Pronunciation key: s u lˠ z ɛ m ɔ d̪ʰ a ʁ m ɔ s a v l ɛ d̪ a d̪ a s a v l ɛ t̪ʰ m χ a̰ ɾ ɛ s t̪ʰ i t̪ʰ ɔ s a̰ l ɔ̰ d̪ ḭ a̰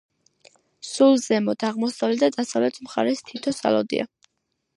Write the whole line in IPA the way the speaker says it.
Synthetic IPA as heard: s u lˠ z ɛ m ɔ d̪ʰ a ʁ m ɔ s a v l ɛ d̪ a d̪ a s a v l ɛ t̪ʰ m χ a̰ ɾ ɛ s t̪ʰ i t̪ʰ ɔ s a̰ l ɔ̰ d̪ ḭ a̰